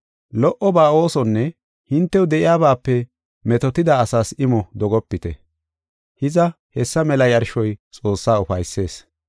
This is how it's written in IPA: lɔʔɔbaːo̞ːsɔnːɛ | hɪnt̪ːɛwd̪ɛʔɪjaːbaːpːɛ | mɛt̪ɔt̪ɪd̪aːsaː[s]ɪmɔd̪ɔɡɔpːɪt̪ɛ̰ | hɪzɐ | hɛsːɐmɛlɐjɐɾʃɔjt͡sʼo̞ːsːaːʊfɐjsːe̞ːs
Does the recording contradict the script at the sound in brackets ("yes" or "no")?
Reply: no